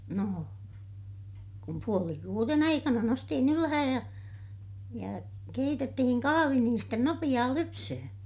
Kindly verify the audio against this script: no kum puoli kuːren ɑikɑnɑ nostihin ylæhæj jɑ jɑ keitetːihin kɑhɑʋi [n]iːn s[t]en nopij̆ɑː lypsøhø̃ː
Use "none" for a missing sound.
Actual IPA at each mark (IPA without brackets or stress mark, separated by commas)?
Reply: n, t